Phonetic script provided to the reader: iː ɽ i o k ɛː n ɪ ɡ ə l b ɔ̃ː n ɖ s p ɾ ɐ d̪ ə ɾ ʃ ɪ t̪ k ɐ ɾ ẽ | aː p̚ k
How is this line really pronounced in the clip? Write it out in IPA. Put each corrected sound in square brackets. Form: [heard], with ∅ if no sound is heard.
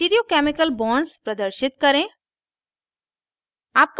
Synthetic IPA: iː [ɾ] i o k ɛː [m] ɪ [k] ə l b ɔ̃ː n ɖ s p ɾ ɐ d̪ ə ɾ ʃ ɪ t̪ k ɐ ɾ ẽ | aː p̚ k